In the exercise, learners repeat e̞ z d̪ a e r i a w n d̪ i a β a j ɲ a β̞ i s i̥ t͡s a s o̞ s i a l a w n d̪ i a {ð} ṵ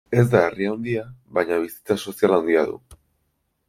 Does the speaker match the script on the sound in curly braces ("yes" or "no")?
yes